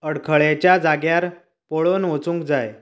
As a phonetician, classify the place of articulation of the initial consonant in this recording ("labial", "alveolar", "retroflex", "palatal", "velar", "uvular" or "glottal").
retroflex